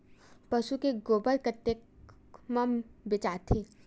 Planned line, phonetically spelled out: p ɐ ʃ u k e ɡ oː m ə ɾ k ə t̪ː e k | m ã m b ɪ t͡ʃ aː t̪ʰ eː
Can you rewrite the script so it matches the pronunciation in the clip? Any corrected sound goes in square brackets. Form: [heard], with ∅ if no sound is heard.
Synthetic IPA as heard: p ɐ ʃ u k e ɡ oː [b] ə [l] k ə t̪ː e k | m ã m b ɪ t͡ʃ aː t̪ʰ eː

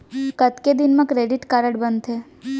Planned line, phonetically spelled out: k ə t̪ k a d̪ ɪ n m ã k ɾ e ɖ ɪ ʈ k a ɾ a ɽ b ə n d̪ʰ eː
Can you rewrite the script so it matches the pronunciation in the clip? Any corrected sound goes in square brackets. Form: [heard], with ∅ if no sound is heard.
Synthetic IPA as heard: k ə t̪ k [e] d̪ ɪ n m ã k ɾ e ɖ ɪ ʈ k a ɾ [ə] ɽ b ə n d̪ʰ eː

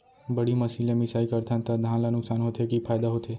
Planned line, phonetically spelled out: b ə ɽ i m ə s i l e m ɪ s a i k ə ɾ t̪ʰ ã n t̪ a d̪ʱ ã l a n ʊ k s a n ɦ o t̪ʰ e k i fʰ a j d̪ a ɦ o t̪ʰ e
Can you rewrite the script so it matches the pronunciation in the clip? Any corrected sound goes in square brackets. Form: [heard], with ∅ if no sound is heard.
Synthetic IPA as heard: b ə ɽ i m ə s i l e m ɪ s a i k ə ɾ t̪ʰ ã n t̪ a d̪ʱ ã l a n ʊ k s a n ɦ o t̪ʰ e k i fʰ a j d̪ a ɦ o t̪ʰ e

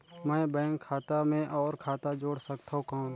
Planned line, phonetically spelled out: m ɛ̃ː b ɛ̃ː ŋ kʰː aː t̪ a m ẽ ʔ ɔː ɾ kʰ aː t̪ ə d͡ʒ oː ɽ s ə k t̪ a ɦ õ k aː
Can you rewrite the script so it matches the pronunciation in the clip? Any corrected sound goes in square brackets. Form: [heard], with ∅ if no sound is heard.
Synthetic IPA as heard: m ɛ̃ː b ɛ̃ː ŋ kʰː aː t̪ a m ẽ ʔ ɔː ɾ kʰ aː t̪ [a] d͡ʒ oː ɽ s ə k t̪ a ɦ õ k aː

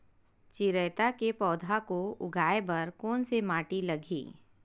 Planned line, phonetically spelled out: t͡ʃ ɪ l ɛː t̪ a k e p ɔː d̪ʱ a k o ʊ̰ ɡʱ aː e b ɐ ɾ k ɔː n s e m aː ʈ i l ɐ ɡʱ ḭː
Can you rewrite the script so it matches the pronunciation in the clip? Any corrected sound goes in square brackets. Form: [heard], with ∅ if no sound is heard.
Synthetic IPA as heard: t͡ʃ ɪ [ɾ] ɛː t̪ a k e p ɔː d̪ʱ a k o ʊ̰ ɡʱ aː e b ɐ ɾ k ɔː n s e m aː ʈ i l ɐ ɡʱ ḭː

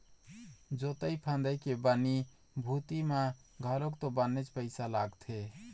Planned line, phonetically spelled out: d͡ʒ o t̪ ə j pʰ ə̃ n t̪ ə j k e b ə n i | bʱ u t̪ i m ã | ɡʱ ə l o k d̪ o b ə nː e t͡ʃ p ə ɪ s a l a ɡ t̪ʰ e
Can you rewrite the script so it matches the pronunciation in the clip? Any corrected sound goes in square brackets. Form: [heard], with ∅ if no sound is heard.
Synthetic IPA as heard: d͡ʒ o t̪ ə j pʰ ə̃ n [d̪] ə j k e b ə n i | bʱ u t̪ i m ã | ɡʱ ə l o k [t̪] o b ə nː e t͡ʃ p ə ɪ s a l a ɡ t̪ʰ e

